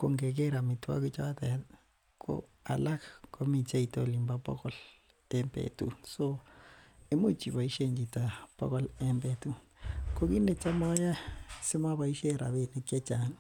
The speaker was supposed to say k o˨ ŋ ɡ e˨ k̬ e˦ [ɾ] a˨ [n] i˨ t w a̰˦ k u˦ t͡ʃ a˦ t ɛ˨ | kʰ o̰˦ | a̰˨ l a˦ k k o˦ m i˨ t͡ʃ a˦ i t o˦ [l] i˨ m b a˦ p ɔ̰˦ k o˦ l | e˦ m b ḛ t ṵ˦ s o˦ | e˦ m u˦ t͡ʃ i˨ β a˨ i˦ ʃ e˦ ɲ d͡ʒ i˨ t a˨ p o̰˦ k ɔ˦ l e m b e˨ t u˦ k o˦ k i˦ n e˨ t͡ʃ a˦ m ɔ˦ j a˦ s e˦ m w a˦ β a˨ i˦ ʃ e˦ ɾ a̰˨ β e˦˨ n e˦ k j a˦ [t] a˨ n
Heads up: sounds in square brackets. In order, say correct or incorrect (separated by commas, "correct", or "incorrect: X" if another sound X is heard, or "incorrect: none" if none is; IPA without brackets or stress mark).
correct, incorrect: m, correct, incorrect: t͡ʃ